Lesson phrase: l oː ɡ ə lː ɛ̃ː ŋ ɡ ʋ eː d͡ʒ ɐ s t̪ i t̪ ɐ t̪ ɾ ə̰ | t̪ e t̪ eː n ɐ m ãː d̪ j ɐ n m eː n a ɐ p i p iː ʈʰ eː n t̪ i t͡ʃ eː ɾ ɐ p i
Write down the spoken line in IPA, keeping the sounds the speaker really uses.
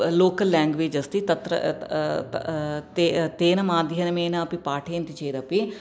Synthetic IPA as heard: l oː k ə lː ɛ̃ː ŋ ɡ ʋ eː d͡ʒ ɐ s t̪ i t̪ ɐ t̪ ɾ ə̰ | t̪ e t̪ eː n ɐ m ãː d̪ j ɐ n m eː n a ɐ p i p aː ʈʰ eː n t̪ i t͡ʃ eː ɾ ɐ p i